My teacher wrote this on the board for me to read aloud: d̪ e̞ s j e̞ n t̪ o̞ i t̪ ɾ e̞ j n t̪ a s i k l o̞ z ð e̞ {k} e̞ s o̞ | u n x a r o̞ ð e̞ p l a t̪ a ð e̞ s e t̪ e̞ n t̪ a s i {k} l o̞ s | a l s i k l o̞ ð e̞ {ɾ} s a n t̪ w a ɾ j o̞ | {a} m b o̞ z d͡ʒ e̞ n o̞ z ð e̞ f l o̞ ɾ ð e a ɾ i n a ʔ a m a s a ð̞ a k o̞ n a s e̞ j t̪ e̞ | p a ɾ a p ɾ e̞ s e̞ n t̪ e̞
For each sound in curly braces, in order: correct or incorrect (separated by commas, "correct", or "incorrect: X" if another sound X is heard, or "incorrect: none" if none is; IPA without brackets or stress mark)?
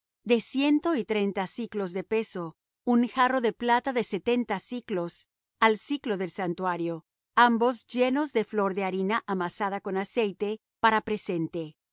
incorrect: p, correct, incorrect: l, correct